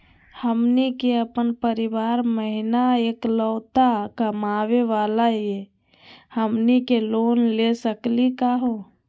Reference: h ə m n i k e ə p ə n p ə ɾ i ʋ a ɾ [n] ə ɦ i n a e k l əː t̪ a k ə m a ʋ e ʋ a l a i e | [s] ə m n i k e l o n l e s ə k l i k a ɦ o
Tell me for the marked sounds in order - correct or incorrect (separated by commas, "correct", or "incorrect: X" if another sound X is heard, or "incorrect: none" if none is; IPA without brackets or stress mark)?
incorrect: m, incorrect: h